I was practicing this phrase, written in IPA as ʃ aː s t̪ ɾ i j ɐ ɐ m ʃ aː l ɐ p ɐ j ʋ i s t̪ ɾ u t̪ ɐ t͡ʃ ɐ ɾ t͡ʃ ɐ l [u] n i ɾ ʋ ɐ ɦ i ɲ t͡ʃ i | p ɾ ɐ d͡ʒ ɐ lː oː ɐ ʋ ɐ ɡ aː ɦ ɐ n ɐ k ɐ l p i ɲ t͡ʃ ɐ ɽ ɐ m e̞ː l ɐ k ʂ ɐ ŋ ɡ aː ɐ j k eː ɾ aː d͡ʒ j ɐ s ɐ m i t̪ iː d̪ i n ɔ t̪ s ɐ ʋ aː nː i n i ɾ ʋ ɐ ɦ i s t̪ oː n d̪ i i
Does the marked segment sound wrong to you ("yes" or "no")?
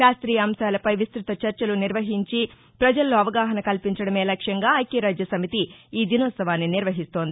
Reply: no